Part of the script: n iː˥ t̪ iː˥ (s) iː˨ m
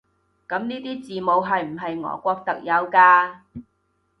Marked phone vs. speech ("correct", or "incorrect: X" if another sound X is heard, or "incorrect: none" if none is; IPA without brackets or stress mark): incorrect: t͡s